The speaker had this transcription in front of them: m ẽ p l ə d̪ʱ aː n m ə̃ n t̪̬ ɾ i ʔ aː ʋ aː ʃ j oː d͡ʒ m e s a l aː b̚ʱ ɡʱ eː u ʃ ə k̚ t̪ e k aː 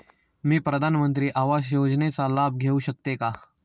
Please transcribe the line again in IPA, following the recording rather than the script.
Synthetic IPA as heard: m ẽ p ɾ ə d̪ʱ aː n m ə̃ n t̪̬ ɾ i ʔ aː ʋ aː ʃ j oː d͡ʒ n e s a l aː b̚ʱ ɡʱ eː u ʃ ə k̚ t̪ e k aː